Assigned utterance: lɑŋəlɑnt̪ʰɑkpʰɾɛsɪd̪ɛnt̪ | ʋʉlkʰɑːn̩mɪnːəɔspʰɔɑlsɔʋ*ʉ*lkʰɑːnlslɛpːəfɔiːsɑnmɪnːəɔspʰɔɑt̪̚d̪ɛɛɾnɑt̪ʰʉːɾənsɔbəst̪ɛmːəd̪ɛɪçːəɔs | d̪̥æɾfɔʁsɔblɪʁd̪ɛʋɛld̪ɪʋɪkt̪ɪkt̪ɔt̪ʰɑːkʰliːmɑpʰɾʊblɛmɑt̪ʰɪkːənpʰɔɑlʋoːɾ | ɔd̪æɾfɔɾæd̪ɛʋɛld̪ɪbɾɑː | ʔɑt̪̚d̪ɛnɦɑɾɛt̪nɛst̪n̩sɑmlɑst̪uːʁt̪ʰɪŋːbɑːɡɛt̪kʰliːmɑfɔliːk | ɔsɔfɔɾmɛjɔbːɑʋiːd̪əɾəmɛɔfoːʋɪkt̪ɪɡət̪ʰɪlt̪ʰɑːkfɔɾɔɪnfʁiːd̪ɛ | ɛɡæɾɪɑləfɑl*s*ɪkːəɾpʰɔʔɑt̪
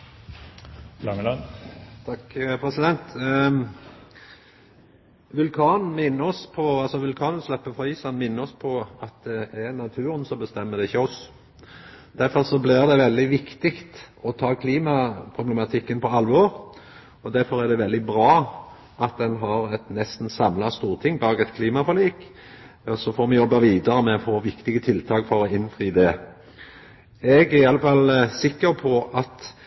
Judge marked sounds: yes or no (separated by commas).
yes, yes